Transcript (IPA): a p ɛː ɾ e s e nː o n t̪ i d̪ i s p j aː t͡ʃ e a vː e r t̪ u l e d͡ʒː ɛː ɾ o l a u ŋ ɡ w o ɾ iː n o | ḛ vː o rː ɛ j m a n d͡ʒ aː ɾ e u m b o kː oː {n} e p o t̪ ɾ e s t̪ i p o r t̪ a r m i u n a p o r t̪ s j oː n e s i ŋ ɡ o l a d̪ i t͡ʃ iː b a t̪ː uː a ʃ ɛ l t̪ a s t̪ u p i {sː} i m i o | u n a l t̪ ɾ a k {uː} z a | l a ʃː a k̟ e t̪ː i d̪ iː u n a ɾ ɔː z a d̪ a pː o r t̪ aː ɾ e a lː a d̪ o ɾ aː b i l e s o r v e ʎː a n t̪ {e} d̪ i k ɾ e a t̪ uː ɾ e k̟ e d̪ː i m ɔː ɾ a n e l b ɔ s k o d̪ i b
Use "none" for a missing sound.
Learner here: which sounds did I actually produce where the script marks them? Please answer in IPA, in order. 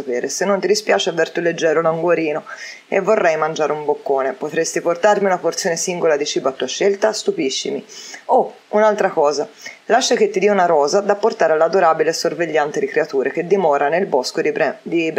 n, ʃː, ɔː, e

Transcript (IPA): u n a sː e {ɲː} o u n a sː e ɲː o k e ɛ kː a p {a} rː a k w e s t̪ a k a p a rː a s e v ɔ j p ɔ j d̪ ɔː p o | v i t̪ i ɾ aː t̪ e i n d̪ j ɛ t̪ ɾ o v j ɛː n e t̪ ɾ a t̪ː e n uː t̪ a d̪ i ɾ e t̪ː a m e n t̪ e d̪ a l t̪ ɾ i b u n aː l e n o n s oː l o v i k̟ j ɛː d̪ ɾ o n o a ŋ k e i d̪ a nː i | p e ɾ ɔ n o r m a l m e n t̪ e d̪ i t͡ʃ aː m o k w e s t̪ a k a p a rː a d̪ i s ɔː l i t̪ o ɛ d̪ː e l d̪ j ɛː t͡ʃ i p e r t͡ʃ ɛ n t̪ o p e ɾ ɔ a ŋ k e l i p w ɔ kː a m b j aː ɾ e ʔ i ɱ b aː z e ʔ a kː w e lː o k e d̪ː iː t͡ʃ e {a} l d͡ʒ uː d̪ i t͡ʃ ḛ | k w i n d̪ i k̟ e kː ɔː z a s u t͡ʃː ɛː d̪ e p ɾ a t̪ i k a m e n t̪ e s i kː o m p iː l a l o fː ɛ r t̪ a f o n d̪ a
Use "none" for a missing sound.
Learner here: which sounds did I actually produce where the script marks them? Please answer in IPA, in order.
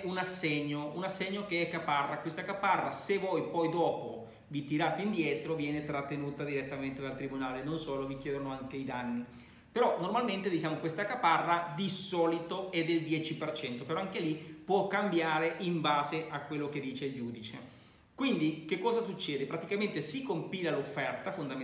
ɲː, a, i

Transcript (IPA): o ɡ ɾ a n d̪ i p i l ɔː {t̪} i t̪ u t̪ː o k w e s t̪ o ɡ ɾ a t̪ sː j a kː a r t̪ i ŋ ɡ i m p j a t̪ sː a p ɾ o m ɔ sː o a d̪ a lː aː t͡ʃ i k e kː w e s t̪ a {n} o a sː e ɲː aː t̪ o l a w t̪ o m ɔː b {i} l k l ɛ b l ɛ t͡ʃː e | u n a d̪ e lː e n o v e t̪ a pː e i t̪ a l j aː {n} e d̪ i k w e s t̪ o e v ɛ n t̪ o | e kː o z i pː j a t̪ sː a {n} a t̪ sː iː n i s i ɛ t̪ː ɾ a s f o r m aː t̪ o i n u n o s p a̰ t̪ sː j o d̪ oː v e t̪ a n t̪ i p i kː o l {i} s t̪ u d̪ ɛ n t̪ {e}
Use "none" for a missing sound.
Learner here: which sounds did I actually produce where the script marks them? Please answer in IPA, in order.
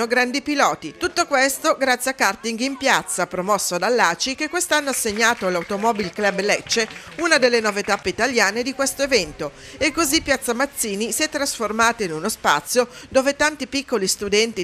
t̪, nː, i, n, m, i, i

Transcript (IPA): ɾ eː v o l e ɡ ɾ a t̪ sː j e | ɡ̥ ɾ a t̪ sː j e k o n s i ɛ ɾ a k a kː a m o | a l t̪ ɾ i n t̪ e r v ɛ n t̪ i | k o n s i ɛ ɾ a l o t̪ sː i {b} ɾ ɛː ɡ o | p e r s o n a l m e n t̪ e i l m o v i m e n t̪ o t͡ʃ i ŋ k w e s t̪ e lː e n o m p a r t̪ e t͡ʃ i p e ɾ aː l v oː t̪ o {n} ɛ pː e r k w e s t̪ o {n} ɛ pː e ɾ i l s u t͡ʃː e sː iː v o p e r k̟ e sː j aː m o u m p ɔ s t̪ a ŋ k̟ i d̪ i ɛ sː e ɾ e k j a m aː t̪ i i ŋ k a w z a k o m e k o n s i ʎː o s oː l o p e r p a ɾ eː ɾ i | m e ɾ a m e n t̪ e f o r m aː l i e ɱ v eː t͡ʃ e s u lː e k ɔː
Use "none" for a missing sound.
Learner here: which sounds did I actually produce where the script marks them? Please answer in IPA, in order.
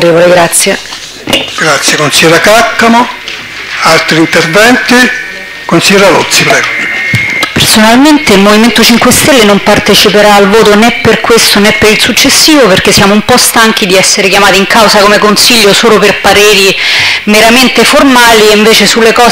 p, n, n

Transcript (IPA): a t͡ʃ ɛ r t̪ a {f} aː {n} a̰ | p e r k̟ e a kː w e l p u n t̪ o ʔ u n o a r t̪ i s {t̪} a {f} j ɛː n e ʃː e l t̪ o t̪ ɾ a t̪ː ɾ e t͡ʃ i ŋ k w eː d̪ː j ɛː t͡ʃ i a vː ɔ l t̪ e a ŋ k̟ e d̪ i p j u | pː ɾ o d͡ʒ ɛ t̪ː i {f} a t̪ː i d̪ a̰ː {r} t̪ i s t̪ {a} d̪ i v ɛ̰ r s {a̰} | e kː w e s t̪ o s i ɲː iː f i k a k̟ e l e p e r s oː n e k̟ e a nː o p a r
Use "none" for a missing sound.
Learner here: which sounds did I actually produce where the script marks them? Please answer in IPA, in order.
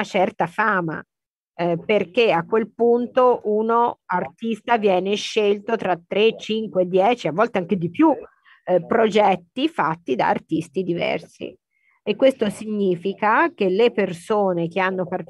f, m, t̪, v, f, r, i, ḭ

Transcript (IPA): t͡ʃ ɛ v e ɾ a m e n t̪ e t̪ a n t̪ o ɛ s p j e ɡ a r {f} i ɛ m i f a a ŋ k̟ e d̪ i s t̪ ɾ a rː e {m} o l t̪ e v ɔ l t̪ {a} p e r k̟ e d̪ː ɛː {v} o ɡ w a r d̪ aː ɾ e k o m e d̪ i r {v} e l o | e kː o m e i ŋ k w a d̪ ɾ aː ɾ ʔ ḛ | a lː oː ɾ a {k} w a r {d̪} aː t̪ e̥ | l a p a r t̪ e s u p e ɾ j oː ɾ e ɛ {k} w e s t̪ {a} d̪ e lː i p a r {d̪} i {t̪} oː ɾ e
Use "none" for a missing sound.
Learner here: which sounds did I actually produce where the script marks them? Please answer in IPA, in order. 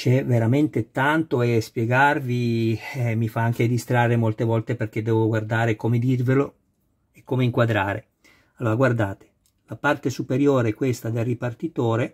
v, m, e, v, v, ɡ, d̪, k, a, t̪, t̪

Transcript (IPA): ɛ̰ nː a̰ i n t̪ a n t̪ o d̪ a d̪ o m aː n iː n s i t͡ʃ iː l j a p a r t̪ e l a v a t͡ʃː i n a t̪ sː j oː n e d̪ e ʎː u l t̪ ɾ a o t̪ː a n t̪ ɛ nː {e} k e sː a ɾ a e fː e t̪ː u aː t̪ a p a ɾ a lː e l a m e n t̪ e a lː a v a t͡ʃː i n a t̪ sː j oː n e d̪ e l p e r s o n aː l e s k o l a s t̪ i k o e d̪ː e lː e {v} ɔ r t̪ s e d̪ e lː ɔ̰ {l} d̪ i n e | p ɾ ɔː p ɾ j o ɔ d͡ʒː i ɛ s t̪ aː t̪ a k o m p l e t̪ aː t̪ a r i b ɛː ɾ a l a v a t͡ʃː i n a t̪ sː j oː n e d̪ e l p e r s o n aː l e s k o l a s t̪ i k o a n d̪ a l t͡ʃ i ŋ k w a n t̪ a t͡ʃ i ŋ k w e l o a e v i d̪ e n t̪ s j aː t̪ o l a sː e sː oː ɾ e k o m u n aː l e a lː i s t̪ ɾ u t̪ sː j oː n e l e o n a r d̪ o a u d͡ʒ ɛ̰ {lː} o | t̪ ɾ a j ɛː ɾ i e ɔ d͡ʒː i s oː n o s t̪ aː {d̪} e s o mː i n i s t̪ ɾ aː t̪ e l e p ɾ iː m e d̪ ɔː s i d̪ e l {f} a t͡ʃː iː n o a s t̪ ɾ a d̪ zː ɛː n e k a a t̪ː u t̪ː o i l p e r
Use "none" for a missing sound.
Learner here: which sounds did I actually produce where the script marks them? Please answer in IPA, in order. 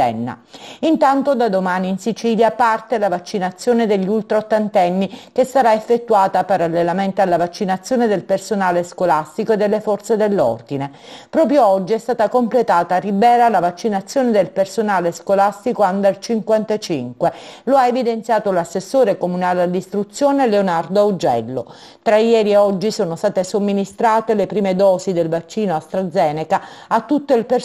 i, f, r, lː, t̪, v

